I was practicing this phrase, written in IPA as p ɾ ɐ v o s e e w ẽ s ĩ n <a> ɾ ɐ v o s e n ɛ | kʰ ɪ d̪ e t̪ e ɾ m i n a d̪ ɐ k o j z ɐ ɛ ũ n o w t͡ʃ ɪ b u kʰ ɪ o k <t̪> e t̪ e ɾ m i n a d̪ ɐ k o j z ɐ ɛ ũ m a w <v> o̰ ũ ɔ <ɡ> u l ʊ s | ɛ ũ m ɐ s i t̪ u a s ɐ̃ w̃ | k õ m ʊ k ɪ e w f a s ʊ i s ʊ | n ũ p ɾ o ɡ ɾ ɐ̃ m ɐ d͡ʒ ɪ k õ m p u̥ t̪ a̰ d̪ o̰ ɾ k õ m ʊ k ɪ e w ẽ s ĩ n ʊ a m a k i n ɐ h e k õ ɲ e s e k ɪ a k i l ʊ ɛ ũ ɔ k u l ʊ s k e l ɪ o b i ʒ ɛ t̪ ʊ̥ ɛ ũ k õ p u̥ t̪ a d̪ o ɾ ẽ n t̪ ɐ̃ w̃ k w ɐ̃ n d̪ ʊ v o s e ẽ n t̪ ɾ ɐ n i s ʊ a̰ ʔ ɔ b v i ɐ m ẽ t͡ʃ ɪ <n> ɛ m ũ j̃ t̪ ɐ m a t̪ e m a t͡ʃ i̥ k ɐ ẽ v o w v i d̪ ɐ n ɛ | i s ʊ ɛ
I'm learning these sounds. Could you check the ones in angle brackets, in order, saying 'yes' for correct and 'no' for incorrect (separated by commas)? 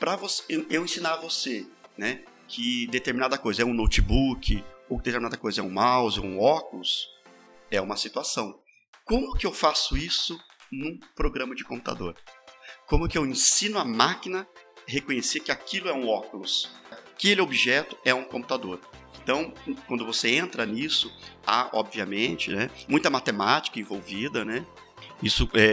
yes, no, no, no, yes